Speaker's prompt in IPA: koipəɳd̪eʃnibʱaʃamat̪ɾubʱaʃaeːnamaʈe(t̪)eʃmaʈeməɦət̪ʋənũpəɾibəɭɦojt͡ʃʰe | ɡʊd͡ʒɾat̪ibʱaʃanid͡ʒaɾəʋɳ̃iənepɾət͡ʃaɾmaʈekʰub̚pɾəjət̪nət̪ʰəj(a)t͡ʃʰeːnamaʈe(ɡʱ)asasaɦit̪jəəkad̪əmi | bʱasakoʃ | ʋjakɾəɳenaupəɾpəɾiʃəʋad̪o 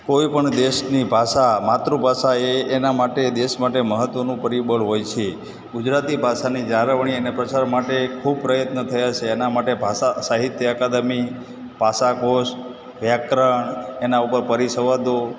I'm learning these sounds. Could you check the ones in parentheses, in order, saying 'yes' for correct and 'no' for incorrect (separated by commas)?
no, yes, no